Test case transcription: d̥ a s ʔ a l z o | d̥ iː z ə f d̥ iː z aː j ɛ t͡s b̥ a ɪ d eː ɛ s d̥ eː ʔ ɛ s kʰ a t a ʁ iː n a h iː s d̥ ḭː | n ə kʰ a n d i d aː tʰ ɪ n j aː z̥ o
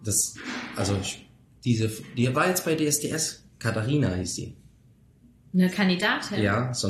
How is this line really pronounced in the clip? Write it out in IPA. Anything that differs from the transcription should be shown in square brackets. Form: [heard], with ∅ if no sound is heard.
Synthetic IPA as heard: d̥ a s ʔ a l z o | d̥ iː z ə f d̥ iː [v] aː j ɛ t͡s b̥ a ɪ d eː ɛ s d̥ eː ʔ ɛ s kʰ a t a ʁ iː n a h iː s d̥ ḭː | n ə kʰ a n d i d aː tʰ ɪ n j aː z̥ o